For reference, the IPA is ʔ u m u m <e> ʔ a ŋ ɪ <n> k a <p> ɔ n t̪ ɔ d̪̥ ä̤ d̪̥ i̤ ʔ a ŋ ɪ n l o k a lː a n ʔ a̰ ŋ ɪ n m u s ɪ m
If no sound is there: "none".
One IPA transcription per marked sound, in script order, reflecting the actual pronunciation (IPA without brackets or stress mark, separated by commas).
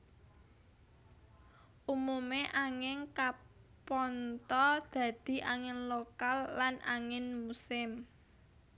e, ŋ, p